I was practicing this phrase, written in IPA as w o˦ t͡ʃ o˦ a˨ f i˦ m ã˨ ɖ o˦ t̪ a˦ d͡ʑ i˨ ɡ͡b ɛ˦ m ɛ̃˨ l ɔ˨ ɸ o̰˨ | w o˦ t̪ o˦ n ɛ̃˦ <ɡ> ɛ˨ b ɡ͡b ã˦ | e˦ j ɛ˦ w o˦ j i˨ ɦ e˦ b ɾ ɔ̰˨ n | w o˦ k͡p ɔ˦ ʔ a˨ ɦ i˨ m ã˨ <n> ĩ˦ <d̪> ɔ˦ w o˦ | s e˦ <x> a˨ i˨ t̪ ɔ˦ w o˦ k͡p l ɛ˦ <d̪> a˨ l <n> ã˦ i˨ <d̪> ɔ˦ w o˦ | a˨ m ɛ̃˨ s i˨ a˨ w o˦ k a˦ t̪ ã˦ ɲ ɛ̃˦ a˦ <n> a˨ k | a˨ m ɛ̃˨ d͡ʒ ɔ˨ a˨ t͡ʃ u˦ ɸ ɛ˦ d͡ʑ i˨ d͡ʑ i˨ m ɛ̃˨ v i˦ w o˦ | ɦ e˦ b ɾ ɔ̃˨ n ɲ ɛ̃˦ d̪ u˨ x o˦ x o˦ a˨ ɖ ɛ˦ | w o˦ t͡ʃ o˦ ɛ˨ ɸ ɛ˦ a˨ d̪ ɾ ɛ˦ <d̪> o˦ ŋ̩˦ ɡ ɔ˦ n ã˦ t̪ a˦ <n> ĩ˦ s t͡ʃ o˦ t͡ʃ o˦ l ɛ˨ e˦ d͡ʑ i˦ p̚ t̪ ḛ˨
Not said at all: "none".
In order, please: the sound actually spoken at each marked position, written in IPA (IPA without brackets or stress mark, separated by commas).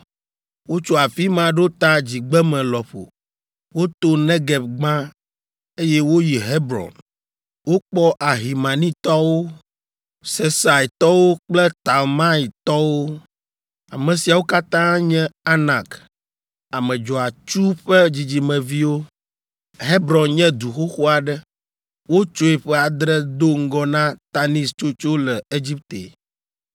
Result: ɡ, n, t̪, s, t̪, m, t̪, n, d̪, n